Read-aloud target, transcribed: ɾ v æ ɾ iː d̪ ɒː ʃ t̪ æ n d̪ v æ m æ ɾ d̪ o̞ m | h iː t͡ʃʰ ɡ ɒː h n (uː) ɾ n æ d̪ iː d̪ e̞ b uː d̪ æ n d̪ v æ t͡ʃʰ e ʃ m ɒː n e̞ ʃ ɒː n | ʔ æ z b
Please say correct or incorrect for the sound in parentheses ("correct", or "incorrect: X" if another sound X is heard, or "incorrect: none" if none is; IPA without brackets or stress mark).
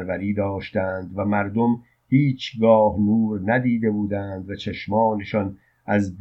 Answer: correct